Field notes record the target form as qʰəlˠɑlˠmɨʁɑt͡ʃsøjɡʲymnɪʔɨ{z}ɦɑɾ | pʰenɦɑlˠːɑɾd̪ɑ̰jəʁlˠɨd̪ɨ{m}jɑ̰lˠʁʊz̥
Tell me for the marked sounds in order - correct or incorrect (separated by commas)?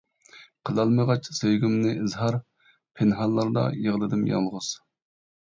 correct, correct